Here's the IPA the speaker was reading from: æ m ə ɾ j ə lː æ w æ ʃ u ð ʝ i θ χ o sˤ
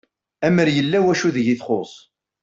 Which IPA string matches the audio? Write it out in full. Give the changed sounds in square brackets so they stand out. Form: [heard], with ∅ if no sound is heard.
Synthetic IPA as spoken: æ m ə ɾ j ə lː æ w æ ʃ u ð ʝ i θ χ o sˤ